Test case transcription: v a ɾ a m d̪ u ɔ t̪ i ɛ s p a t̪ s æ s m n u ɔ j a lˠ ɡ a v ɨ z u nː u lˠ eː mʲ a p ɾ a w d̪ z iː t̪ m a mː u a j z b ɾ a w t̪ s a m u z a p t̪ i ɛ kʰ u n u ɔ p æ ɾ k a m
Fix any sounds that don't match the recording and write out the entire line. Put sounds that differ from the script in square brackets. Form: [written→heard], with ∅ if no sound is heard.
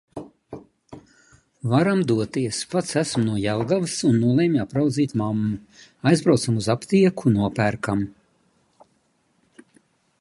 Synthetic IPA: v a ɾ a m d̪ u ɔ t̪ i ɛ s p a t̪ s æ s m n u ɔ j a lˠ ɡ a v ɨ [z→s] u nː u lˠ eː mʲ a p ɾ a w d̪ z iː t̪ m a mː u a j z b ɾ a w t̪ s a m u z a p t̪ i ɛ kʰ u n u ɔ p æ ɾ k a m

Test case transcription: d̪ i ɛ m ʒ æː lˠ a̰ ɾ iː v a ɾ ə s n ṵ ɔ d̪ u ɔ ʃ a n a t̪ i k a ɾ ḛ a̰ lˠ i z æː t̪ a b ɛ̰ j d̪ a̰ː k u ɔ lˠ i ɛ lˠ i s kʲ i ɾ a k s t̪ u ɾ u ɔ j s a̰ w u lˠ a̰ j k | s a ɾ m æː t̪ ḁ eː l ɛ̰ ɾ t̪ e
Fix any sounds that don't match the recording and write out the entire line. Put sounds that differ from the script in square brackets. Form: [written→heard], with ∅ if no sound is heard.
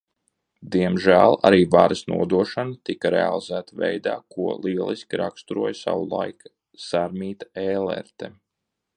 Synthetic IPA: d̪ i ɛ m ʒ æː lˠ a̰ ɾ iː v a ɾ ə s n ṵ ɔ d̪ u ɔ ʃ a n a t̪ i k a ɾ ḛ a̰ lˠ i z æː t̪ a [b→v] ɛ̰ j d̪ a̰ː k u ɔ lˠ i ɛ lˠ i s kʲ i ɾ a k s t̪ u ɾ u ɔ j s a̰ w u lˠ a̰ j k | s a ɾ m [æː→iː] t̪ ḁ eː l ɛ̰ ɾ t̪ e

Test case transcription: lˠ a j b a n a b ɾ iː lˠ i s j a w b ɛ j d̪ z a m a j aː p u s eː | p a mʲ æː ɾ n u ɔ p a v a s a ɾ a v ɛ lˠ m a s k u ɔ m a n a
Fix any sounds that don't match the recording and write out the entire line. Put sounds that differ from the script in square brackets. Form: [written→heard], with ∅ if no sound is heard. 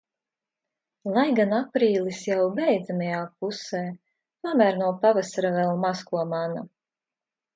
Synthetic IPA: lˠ a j [b→ɡ] a n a [b→p] ɾ iː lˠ i s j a w b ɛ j d̪ z a m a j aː p u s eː | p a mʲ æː ɾ n u ɔ p a v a s a ɾ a v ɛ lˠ m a s k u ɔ m a n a

